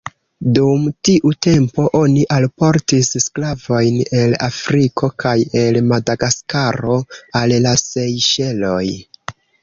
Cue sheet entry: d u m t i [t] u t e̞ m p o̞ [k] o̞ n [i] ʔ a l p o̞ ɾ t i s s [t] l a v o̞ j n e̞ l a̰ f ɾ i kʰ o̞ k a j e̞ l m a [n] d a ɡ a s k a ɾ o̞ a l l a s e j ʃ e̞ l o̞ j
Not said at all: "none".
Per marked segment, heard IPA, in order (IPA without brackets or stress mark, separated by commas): ʔ, ʔ, i, k, none